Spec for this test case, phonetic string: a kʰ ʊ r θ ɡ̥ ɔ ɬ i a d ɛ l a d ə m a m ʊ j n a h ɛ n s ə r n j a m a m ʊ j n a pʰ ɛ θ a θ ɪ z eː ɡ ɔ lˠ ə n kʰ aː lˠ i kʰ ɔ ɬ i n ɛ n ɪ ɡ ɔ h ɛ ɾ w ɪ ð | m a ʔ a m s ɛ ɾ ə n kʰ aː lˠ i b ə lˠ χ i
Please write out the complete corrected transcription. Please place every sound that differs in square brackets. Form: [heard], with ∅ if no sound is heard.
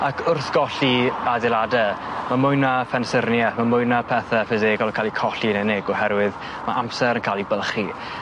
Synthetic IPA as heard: a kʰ ʊ r θ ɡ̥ ɔ ɬ i a d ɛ l a d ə m a m ʊ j n a [f] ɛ n s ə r n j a m a m ʊ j n a pʰ ɛ θ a [f] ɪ z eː ɡ ɔ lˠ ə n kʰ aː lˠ i kʰ ɔ ɬ i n ɛ n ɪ ɡ ɔ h ɛ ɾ w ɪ ð | m a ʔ a m s ɛ ɾ ə n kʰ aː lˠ i b ə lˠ χ i